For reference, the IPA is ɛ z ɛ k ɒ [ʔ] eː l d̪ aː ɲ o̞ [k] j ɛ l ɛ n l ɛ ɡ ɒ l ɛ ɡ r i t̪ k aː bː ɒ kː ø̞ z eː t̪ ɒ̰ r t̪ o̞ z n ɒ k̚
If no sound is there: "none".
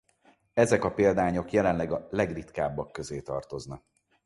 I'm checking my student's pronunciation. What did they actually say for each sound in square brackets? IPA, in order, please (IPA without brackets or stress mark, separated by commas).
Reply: p, k